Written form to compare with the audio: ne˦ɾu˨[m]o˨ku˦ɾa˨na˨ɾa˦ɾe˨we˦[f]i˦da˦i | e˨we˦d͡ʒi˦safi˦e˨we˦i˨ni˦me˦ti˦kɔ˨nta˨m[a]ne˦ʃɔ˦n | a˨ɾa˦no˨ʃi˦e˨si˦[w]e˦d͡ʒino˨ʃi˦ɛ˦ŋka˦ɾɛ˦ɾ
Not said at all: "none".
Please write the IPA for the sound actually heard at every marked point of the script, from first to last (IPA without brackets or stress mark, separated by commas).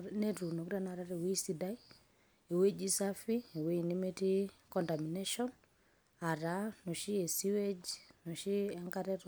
n, s, i, w